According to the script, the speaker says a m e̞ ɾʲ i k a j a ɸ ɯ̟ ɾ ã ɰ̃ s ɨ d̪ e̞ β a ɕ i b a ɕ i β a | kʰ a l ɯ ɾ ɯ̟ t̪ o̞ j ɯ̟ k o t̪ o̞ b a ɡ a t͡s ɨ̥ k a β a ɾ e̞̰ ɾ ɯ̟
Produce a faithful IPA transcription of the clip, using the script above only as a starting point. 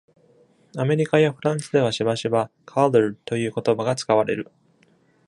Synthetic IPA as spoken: a m e̞ ɾʲ i k a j a ɸ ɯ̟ ɾ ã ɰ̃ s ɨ d̪ e̞ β a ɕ i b a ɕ i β a | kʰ a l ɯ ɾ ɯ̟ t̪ o̞ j ɯ̟ː k o t̪ o̞ b a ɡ a t͡s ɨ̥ k a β a ɾ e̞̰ ɾ ɯ̟